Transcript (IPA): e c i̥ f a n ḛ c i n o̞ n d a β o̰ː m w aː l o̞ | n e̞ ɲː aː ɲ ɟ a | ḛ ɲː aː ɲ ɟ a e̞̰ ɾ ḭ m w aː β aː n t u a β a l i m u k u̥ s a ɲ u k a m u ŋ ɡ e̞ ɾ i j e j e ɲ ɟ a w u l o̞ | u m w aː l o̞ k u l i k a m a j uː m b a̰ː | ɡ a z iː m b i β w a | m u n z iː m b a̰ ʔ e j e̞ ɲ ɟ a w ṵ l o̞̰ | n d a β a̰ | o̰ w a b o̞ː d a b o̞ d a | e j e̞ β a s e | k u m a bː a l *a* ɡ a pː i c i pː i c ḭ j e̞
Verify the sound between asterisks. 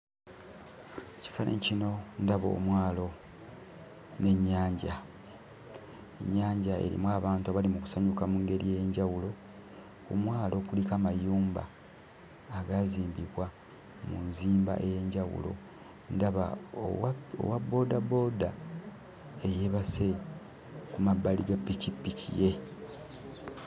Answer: incorrect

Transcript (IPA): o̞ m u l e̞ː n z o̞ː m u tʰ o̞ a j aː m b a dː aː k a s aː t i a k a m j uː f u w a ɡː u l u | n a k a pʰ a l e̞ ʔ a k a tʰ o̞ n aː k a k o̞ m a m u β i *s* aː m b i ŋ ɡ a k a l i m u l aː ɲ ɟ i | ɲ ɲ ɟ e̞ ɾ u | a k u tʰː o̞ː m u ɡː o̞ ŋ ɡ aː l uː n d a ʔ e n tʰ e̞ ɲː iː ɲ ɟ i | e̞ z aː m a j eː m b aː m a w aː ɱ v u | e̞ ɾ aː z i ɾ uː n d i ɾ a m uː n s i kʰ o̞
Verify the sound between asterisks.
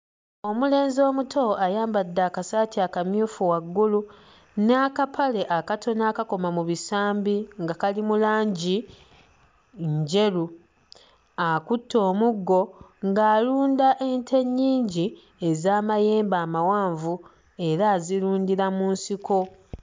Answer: correct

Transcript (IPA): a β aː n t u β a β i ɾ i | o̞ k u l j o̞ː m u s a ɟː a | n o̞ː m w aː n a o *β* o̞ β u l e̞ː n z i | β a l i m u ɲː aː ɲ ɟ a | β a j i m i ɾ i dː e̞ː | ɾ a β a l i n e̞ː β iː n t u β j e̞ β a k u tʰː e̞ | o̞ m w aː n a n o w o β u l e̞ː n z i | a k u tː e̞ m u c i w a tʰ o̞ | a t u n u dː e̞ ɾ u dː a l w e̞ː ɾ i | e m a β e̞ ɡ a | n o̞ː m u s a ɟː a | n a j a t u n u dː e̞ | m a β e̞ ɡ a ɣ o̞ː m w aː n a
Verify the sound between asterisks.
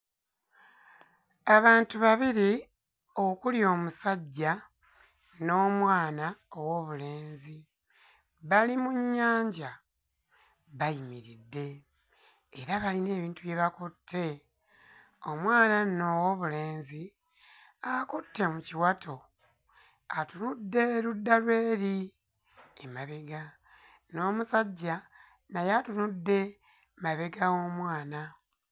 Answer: incorrect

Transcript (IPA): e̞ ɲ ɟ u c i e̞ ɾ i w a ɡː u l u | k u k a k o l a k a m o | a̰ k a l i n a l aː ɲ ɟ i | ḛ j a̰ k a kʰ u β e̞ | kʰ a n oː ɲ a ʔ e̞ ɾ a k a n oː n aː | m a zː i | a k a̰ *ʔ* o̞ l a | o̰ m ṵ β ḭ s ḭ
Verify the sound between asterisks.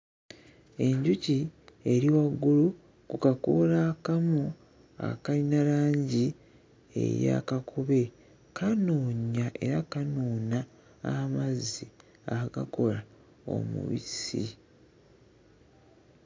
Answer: incorrect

